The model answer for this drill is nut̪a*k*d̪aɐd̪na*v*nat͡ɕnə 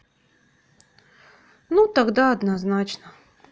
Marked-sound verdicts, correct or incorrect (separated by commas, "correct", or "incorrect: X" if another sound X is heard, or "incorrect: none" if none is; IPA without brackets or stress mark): incorrect: ɡ, incorrect: z